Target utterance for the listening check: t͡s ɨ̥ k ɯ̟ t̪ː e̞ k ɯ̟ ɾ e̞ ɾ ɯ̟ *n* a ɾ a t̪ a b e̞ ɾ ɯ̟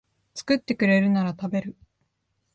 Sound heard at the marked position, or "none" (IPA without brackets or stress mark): n